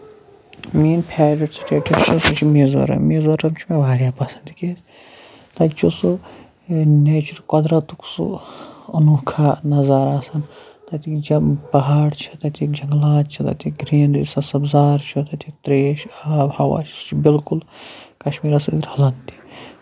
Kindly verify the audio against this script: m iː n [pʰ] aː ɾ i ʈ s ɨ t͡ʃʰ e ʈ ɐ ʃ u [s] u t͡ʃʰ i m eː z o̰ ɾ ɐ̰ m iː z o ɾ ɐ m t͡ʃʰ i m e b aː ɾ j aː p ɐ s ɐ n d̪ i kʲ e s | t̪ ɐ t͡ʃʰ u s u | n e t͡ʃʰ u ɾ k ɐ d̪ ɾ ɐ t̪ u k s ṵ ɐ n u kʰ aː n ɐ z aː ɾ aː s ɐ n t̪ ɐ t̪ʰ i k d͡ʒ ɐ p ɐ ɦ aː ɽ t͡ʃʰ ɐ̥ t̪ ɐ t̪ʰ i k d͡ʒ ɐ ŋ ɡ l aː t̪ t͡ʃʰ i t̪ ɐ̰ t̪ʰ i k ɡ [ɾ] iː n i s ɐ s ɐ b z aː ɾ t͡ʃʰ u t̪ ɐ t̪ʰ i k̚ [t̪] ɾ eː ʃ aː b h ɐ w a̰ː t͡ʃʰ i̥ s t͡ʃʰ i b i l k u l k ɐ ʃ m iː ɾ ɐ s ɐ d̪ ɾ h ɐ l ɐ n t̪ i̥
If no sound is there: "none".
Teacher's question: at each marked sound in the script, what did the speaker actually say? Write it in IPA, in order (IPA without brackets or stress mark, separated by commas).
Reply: pʰ, s, ɾ, t̪